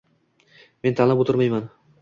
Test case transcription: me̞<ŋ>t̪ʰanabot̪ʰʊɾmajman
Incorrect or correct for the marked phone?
incorrect: n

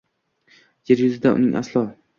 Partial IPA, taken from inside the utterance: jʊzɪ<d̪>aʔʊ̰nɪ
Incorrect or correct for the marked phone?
correct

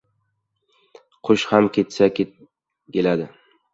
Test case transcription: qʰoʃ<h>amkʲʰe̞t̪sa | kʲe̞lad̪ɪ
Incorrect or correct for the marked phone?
correct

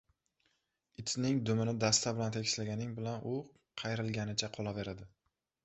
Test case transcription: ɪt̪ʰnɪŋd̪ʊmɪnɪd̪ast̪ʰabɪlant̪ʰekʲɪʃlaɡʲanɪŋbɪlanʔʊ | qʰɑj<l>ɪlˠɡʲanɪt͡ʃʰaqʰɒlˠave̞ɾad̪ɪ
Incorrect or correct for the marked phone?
incorrect: ɾ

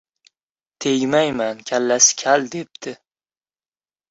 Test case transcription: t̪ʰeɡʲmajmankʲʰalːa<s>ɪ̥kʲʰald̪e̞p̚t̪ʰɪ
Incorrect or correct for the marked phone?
correct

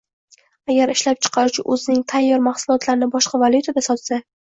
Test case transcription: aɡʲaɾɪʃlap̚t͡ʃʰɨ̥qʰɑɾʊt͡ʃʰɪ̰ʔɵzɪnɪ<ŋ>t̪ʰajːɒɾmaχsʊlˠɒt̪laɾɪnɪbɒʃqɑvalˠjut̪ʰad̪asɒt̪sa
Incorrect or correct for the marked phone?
correct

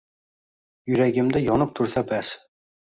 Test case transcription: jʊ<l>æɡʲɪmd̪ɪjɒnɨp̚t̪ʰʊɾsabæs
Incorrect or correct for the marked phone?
incorrect: ɾ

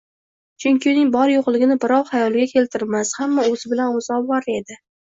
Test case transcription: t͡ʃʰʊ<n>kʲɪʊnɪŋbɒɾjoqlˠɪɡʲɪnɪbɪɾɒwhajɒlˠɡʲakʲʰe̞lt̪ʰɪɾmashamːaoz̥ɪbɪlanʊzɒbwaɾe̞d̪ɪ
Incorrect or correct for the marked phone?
incorrect: ŋ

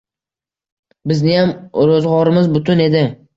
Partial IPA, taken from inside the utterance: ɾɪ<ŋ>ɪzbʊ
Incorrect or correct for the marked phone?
incorrect: m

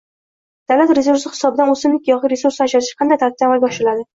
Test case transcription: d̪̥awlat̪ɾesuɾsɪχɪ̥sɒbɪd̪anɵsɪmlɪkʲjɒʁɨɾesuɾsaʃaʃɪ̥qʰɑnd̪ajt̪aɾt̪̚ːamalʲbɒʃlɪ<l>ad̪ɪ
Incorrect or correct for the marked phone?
correct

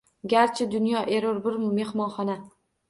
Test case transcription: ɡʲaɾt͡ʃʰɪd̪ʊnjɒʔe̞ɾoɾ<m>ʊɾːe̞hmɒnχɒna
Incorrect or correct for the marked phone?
incorrect: b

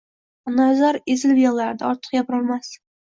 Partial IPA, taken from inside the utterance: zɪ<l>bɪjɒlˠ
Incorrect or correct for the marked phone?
correct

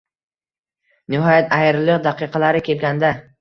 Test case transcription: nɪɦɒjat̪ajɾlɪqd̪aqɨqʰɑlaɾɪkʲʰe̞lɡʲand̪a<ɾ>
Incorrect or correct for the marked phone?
incorrect: none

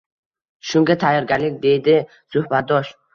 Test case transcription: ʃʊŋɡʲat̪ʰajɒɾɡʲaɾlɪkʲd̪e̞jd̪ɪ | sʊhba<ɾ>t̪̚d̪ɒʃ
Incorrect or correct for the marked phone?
incorrect: none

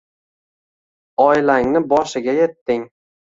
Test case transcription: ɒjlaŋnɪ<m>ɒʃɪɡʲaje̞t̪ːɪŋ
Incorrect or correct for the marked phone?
incorrect: b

